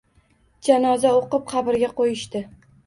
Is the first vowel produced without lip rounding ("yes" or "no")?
yes